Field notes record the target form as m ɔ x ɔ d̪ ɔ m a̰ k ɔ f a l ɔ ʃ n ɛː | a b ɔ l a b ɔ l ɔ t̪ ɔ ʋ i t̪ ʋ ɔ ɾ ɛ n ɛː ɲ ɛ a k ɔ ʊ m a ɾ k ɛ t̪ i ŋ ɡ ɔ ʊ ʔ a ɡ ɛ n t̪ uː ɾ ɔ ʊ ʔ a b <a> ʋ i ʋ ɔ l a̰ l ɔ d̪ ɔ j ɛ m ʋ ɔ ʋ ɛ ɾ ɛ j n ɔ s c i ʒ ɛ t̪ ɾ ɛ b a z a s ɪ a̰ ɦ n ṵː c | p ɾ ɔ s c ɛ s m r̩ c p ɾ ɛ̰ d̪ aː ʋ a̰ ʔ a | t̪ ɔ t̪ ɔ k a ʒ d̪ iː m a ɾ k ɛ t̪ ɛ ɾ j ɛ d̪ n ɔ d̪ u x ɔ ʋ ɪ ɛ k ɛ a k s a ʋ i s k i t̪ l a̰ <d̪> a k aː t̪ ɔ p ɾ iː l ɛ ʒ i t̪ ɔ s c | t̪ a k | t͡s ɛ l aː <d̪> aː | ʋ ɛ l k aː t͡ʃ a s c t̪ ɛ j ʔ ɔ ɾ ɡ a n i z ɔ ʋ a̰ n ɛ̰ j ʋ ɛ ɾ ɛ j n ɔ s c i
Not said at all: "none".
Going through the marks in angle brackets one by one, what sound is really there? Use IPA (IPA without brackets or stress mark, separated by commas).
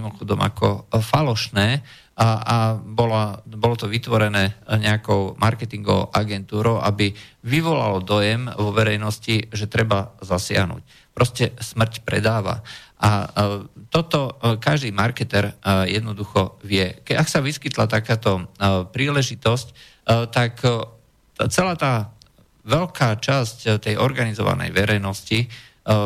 i, t̪, t̪